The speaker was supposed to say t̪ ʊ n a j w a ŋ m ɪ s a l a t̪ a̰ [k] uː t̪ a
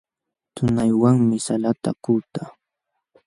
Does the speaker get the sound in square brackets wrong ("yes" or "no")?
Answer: no